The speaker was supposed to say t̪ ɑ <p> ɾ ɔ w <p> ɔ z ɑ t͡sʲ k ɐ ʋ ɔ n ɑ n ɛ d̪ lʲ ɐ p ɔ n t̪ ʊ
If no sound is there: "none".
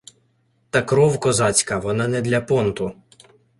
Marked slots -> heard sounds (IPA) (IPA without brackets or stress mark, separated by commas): k, k